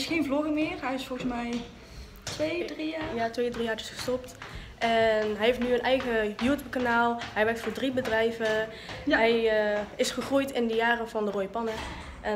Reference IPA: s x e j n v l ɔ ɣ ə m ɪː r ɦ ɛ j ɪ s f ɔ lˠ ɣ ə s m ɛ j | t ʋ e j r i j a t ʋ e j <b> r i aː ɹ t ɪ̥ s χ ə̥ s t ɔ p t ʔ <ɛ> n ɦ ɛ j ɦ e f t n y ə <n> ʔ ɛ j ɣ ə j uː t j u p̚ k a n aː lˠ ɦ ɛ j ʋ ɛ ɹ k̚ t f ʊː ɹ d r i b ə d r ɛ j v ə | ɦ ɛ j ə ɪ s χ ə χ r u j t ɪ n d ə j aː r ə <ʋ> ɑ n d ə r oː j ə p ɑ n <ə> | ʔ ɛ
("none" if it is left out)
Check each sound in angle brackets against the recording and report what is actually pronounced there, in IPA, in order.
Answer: d, ɛ, n, v, ə

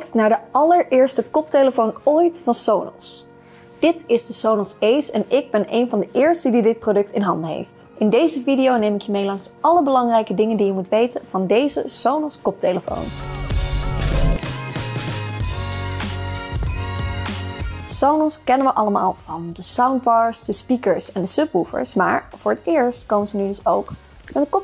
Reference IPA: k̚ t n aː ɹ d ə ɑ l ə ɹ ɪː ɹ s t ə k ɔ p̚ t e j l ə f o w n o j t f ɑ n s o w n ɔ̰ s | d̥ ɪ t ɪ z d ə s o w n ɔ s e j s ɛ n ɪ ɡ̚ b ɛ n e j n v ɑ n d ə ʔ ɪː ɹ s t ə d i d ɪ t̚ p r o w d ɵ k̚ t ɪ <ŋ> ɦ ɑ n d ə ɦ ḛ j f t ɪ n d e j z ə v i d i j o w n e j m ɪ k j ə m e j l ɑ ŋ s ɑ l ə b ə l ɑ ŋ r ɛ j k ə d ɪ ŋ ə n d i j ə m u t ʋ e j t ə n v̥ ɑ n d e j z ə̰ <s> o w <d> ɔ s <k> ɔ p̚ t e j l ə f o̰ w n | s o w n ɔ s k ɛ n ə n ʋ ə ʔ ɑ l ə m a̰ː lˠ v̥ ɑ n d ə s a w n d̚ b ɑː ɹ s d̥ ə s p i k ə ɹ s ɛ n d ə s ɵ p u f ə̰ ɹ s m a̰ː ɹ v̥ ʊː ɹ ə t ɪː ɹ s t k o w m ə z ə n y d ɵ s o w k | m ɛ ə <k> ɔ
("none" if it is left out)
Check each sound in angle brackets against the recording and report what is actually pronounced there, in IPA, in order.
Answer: n, s, n, k, k

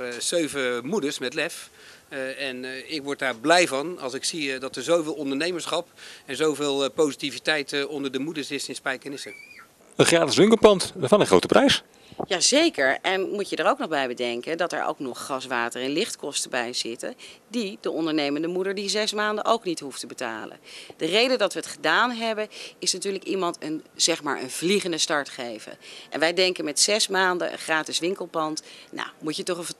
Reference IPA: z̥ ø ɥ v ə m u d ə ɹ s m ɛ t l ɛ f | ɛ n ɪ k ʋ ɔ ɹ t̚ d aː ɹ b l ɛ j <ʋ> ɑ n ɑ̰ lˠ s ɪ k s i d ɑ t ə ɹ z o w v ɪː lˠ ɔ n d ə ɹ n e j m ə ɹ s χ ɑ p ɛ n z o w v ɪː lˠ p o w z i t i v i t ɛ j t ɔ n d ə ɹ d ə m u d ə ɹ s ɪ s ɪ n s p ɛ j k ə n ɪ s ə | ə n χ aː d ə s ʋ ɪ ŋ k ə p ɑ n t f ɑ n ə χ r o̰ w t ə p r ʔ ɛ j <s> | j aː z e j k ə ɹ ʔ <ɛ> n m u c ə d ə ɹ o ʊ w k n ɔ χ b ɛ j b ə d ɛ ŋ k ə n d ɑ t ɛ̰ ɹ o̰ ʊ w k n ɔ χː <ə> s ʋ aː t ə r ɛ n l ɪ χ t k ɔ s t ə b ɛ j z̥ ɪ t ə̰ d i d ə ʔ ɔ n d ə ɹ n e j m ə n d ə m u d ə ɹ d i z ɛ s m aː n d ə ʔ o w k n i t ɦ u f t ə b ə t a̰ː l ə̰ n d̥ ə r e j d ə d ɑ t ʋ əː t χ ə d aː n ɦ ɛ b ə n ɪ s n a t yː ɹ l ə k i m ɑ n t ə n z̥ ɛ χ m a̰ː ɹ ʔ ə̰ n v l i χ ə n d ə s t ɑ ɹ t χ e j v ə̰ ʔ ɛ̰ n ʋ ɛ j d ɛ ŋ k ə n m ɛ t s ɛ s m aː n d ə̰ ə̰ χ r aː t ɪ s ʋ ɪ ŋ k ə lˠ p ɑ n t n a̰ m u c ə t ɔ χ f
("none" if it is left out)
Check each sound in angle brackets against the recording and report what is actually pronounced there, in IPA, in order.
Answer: v, s, ɛ, ɑ

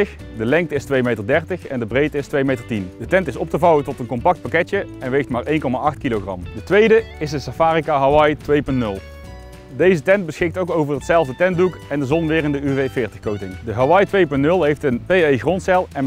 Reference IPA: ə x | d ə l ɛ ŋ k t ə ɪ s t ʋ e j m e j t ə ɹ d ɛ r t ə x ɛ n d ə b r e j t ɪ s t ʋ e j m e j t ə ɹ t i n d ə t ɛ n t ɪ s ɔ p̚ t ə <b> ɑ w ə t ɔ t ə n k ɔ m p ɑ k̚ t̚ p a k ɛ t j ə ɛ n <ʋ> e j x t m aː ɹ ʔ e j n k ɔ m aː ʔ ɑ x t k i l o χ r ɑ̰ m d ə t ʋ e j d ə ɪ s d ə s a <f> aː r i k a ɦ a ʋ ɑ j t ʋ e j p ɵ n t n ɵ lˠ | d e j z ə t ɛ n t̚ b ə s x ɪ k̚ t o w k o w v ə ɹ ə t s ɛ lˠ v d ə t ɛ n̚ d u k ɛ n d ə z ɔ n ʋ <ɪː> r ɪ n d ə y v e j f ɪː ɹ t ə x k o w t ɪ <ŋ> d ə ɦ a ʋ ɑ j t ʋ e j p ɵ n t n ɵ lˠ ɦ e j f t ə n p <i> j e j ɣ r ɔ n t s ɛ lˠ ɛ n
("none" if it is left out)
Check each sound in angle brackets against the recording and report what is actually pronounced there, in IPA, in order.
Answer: v, ʋ, f, ɪː, ŋ, e

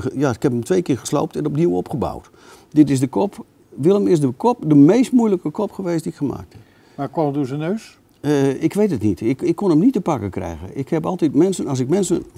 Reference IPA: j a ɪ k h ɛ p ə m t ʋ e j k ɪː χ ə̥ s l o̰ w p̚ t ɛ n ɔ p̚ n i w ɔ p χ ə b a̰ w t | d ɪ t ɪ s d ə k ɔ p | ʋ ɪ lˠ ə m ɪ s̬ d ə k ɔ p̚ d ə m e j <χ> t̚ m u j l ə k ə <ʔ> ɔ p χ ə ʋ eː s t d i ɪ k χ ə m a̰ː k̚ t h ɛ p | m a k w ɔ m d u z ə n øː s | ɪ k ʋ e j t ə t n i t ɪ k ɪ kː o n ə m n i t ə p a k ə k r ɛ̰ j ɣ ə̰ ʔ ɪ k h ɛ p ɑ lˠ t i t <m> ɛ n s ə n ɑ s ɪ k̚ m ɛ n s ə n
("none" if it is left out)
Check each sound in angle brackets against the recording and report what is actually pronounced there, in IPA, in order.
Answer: s, k, m

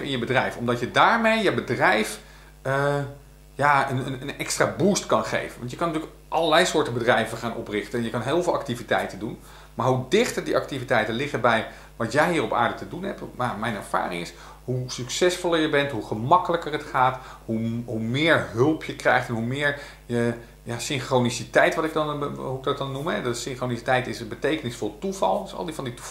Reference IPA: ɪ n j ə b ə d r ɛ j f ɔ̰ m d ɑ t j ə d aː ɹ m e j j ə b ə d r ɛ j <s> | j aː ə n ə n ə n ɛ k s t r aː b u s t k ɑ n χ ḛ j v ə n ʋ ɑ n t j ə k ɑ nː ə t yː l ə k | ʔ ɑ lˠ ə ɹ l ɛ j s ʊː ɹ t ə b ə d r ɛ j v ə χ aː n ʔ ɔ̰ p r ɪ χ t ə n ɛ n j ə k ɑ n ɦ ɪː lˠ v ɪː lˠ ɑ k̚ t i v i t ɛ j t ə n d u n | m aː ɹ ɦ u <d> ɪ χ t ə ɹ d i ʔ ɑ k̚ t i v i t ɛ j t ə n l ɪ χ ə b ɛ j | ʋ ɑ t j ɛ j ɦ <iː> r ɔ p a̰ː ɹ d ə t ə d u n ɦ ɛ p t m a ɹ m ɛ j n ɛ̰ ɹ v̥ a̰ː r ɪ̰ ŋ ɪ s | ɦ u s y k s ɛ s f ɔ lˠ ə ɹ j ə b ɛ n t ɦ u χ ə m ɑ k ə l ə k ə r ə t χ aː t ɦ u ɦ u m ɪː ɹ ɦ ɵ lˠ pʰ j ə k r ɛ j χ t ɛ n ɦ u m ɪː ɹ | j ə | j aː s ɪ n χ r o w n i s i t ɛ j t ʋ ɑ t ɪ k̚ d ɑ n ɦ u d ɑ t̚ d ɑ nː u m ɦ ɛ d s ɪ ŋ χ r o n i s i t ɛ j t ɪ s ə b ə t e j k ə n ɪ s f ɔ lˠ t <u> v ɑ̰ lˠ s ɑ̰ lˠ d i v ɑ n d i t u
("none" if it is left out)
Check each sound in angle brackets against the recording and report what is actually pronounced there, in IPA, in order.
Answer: f, d, iː, u

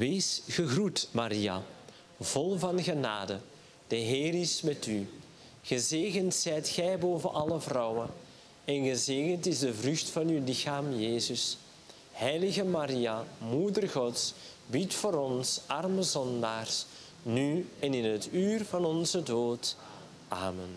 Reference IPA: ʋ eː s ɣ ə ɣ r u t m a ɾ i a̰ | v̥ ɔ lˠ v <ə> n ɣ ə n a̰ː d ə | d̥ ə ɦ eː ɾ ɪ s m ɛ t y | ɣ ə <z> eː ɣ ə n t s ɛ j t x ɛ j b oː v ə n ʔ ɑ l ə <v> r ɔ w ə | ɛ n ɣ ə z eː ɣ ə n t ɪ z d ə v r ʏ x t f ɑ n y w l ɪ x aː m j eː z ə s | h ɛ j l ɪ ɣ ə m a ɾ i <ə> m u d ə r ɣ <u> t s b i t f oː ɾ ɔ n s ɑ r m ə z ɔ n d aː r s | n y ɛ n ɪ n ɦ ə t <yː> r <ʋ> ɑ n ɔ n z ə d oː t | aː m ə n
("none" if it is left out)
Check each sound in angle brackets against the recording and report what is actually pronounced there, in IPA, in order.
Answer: ɑ, z, v, a, ɔ, yː, v

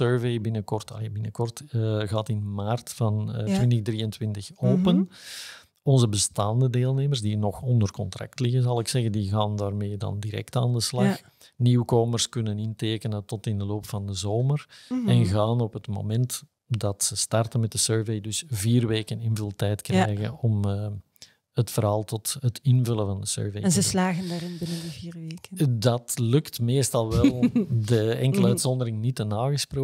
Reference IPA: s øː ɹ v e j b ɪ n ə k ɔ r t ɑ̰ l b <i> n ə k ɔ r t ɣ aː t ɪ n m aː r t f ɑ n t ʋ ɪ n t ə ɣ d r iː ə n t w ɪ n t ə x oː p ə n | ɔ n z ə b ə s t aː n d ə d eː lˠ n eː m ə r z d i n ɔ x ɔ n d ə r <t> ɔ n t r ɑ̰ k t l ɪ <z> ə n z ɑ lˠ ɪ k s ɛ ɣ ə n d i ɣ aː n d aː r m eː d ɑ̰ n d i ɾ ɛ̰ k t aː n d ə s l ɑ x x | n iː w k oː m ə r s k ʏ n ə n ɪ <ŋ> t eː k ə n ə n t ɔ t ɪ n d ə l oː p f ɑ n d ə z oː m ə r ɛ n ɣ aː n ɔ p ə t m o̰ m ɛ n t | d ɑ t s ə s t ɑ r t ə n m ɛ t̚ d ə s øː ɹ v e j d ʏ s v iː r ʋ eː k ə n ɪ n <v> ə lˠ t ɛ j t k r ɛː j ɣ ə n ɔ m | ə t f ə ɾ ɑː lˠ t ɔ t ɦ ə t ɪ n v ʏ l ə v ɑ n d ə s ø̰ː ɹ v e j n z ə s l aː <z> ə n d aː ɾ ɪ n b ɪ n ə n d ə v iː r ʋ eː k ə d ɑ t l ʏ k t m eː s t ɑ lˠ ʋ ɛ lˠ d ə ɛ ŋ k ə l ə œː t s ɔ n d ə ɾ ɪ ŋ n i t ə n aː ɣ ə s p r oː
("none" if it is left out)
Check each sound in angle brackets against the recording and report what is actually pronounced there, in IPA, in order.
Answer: ɪ, k, ɣ, n, v, ɣ

